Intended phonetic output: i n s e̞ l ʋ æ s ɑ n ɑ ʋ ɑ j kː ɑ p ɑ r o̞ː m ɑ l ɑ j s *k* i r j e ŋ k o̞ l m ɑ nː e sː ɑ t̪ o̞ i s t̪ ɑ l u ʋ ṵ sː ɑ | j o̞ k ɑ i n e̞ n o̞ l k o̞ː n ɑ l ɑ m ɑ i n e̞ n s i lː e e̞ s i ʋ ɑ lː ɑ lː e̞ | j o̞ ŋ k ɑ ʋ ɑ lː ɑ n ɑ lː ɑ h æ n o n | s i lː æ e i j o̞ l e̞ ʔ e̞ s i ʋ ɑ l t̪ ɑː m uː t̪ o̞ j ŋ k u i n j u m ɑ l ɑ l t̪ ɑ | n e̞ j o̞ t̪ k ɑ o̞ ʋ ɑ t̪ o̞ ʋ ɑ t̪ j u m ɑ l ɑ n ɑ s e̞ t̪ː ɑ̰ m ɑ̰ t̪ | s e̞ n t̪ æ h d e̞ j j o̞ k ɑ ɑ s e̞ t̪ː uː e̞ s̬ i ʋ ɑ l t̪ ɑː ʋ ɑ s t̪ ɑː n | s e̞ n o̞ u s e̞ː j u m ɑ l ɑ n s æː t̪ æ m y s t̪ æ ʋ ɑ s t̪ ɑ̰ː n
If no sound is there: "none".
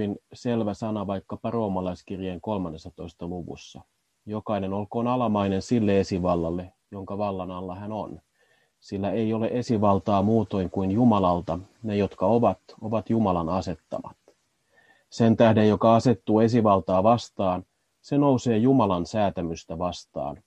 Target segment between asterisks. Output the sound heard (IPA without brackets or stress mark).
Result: k